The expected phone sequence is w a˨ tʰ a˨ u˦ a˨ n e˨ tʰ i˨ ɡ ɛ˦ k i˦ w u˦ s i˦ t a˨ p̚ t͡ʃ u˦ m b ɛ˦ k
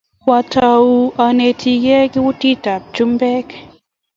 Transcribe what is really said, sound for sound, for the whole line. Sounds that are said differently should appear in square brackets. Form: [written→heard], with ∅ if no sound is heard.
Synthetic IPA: w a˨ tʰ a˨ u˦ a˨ n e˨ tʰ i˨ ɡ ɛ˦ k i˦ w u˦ [s→t] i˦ t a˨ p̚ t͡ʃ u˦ m b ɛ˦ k